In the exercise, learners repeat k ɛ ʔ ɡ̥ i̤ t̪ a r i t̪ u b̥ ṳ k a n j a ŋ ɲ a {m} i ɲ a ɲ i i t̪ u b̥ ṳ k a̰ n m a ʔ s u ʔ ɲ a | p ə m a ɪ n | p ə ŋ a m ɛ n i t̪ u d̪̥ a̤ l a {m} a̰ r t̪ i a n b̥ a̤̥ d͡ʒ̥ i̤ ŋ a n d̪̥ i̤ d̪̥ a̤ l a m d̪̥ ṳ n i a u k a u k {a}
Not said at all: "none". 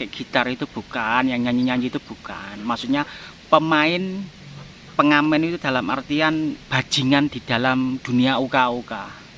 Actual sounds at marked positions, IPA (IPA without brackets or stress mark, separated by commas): ɲ, m, a